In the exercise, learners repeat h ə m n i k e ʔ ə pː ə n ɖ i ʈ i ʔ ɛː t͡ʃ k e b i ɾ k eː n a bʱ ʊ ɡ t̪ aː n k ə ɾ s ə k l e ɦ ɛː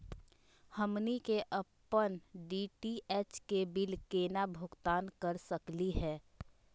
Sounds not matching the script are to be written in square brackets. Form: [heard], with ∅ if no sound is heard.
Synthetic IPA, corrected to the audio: h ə m n i k e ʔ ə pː ə n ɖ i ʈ i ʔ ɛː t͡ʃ k e b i [l] k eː n a bʱ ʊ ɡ t̪ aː n k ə ɾ s ə k l [i] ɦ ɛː